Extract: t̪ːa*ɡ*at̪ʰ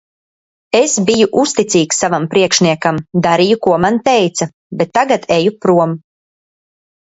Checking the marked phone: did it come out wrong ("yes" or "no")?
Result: no